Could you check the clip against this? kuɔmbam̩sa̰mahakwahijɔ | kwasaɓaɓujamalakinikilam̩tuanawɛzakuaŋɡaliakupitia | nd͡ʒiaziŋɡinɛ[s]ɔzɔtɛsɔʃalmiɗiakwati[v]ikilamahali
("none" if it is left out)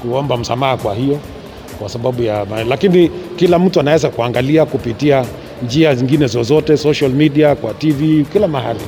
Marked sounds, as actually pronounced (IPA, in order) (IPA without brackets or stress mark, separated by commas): z, v